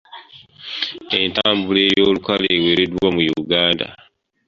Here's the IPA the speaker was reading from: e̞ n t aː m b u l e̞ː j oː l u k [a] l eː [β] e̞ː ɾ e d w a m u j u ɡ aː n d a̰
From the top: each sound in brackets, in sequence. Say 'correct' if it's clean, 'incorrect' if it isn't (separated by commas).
correct, incorrect